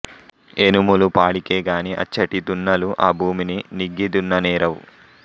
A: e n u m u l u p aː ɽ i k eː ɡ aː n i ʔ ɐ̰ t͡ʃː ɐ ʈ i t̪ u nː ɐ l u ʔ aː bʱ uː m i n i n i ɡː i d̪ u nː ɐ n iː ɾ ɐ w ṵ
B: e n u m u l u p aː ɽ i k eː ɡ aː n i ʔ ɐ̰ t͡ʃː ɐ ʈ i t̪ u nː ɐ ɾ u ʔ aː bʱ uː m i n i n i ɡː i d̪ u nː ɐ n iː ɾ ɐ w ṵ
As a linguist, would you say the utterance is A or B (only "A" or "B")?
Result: A